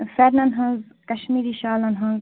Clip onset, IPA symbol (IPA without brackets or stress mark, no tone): f